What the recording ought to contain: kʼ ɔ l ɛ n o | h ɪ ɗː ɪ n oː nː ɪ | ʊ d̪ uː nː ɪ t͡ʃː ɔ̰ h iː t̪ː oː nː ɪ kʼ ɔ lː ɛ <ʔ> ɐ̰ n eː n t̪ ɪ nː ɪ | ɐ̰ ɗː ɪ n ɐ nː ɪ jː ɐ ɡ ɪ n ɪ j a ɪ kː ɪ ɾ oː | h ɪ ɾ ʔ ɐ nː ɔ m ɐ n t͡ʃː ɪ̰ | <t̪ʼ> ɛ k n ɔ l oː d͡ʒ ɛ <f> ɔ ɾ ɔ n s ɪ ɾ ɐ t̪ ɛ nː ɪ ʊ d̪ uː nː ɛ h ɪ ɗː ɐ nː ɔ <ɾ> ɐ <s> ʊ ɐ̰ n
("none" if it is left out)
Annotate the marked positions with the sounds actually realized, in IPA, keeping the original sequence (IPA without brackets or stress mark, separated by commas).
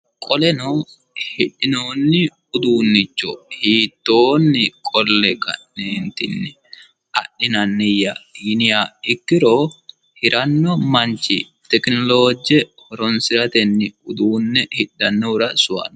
k, t̪, h, ɾ, s